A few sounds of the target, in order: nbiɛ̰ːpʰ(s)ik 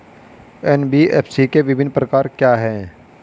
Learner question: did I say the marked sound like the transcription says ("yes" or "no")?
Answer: yes